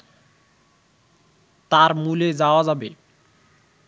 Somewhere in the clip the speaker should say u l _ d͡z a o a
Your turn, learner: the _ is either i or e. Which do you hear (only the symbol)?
e